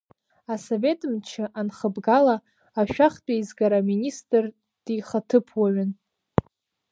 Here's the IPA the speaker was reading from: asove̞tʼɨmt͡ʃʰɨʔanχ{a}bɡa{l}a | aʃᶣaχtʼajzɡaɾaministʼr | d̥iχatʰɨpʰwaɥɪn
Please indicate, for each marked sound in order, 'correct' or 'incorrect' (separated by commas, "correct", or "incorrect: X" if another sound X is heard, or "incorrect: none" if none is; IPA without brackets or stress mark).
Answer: incorrect: ə, correct